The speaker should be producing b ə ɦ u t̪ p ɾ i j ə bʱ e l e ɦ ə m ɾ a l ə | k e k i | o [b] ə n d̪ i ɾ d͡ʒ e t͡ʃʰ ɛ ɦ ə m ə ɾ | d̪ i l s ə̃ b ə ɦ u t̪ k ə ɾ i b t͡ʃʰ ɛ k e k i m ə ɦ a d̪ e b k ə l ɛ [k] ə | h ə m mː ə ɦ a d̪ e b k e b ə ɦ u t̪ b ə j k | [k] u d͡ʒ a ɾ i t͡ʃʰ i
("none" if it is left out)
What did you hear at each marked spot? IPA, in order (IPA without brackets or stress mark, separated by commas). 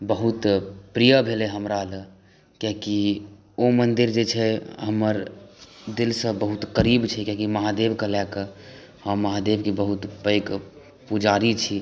m, k, p